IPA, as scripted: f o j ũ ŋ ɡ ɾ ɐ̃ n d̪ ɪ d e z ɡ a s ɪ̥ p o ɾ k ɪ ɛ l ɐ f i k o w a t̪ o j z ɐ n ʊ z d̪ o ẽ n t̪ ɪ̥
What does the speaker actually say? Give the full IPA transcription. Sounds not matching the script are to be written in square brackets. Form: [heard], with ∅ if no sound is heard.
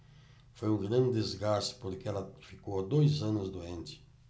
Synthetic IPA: f o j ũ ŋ ɡ ɾ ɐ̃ n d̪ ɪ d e z ɡ a s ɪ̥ p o ɾ k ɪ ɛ l ɐ f i k o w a [d̪] o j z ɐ n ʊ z d̪ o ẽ n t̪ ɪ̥